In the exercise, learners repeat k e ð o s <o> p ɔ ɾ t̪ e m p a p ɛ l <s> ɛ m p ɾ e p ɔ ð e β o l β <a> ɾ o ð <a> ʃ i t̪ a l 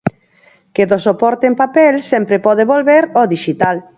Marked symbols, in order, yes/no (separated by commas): yes, yes, no, no